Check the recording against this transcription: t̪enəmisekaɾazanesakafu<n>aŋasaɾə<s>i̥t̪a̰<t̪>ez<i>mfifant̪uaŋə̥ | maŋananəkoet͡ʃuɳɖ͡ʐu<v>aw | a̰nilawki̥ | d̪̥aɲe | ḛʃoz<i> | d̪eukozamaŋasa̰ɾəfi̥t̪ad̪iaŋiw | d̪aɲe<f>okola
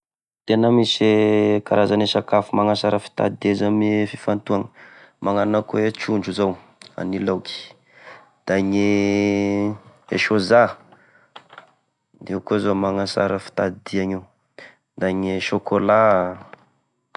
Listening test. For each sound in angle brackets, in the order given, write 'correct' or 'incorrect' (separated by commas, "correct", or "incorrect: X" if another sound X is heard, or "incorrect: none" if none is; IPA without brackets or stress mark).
incorrect: m, incorrect: f, incorrect: d̪, incorrect: a, incorrect: z, incorrect: a, incorrect: ʃ